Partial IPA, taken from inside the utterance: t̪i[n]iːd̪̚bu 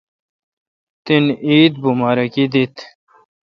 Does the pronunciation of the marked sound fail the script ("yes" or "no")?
no